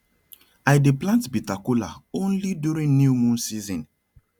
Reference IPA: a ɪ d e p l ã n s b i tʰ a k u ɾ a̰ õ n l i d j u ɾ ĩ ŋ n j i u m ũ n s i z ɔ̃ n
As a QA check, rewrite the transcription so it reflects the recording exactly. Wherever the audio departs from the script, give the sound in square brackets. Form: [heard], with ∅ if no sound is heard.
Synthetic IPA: a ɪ d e p l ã n [t] b i [t] a k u [l] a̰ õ n l i d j u ɾ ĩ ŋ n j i u m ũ n s i z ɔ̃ n